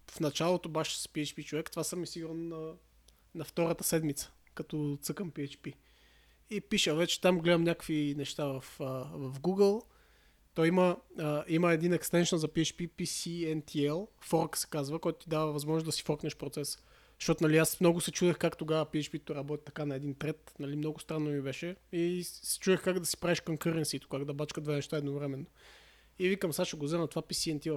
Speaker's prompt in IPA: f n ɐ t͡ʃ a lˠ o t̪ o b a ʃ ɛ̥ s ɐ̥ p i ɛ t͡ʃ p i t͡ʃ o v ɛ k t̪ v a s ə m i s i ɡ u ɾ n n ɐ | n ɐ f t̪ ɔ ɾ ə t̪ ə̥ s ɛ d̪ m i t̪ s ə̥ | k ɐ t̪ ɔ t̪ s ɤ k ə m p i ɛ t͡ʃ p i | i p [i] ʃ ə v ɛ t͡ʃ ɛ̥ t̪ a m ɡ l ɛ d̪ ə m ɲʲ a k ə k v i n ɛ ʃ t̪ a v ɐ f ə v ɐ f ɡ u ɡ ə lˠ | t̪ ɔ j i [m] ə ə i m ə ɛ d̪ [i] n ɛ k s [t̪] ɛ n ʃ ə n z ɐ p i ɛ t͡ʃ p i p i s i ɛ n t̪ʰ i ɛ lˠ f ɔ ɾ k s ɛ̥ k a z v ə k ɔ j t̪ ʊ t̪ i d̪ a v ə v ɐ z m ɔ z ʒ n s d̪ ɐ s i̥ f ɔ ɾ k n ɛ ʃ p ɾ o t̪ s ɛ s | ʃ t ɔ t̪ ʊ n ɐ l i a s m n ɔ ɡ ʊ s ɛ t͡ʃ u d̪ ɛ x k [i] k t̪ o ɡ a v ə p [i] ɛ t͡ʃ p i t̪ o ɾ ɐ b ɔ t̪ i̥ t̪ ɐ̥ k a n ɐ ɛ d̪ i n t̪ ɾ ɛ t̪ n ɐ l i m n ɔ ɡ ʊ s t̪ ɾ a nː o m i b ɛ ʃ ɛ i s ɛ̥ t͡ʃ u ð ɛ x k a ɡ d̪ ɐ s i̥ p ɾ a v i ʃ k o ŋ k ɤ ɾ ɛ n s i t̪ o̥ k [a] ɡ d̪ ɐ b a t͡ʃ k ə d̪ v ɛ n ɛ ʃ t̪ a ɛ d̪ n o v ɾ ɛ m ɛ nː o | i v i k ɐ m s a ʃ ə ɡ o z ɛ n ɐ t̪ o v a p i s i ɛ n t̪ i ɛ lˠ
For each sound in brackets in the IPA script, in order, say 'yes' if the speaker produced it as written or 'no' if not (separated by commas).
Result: yes, yes, yes, yes, no, yes, yes